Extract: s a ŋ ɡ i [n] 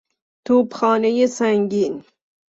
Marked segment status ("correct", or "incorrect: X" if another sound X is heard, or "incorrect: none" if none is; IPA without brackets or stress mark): correct